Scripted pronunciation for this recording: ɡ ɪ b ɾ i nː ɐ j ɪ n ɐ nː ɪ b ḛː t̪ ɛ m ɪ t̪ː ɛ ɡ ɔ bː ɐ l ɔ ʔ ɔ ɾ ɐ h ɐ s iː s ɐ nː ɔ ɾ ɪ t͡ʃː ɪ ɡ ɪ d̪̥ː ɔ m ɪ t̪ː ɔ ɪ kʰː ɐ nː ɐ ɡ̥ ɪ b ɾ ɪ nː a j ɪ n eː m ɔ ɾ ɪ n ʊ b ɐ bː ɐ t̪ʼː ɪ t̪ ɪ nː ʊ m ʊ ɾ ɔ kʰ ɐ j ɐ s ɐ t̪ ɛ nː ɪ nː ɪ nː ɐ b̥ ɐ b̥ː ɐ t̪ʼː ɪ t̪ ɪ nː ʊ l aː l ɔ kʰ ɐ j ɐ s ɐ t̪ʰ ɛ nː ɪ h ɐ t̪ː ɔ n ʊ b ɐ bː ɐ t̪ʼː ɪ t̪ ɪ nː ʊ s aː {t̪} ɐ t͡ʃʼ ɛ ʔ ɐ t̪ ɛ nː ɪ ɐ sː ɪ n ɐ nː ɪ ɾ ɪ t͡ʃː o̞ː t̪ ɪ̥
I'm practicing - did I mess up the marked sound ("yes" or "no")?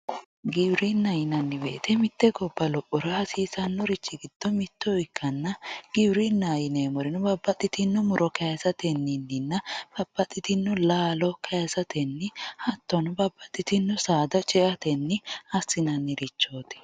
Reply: yes